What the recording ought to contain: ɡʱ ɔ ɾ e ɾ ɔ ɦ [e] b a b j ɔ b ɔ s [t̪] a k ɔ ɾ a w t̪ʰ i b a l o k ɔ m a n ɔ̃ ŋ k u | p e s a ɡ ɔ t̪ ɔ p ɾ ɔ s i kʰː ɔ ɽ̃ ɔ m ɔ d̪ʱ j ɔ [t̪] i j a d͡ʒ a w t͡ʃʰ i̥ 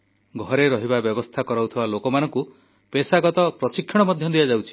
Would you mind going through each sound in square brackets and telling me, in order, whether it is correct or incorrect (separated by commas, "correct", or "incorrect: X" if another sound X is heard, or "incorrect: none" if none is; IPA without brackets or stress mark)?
incorrect: i, incorrect: t̪ʰ, incorrect: d̪